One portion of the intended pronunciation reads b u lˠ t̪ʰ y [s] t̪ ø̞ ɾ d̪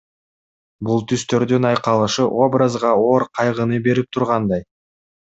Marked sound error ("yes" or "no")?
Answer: no